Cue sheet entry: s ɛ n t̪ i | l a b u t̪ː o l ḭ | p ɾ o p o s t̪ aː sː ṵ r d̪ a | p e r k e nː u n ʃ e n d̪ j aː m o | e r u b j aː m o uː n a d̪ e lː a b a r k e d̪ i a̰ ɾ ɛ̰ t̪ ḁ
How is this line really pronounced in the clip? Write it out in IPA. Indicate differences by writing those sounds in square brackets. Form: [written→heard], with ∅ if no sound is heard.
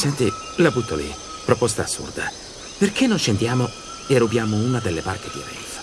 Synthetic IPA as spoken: s ɛ n t̪ i | l a b u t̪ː o l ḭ | p ɾ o p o s t̪ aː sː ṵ r d̪ a | p e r k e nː [u→o] n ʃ e n d̪ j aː m o | e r u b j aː m o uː n a d̪ e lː [a→e] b a r k e d̪ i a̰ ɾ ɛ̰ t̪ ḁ

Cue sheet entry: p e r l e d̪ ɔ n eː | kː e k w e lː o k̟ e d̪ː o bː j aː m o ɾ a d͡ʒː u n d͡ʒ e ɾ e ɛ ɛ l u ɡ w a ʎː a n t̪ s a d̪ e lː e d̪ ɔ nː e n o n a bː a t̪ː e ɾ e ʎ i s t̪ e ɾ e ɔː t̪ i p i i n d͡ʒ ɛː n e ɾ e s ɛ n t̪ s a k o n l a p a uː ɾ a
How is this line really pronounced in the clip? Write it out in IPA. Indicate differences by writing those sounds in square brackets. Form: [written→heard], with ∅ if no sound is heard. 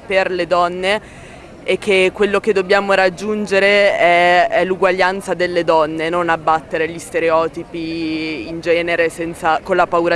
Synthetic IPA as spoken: p e r l e d̪ ɔ [n→nː] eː | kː e k w e lː o k̟ e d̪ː o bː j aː m o ɾ a d͡ʒː u n d͡ʒ e ɾ e ɛ ɛ l u ɡ w a ʎː a n t̪ s a d̪ e lː e d̪ ɔ nː e n o n a bː a t̪ː e ɾ e ʎ i s t̪ e ɾ e ɔː t̪ i p i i n d͡ʒ ɛː n e ɾ e s ɛ n t̪ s a k o n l a p a uː ɾ a

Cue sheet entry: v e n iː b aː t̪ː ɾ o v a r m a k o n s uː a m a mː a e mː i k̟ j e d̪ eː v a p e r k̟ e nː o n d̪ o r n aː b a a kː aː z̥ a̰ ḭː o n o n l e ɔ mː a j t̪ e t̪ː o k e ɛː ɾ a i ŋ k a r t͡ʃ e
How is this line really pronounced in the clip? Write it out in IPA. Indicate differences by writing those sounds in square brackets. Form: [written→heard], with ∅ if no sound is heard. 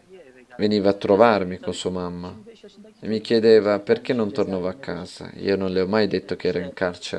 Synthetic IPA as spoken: v e n iː [b→v] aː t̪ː ɾ o v a r m [a→i] k o n s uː a m a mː a e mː i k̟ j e d̪ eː v a p e r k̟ e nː o n [d̪→t̪] o r n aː [b→v] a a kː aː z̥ a̰ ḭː o n o n l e ɔ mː a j [t̪→d̪] e t̪ː o k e ɛː ɾ a i ŋ k a r t͡ʃ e

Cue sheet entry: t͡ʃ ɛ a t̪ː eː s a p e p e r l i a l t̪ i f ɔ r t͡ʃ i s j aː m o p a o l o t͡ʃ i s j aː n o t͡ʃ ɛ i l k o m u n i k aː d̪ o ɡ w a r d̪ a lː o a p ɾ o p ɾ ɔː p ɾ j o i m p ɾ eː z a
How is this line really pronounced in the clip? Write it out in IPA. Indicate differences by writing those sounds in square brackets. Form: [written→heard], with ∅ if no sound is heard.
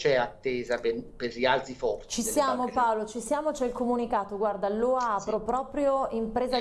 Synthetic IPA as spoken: t͡ʃ ɛ a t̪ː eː [s→z] a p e p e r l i a l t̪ i f ɔ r t͡ʃ i s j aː m o p a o l o t͡ʃ i s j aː [n→m] o t͡ʃ ɛ i l k o m u n i k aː [d̪→t̪] o ɡ w a r d̪ a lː o a p ɾ o p ɾ ɔː p ɾ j o i m p ɾ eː z a

